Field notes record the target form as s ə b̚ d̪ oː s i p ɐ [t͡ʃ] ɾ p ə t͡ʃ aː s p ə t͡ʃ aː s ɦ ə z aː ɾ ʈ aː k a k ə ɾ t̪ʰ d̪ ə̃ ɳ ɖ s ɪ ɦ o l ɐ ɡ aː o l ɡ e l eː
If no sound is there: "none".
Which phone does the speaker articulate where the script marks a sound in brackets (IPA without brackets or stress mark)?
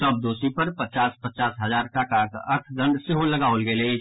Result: none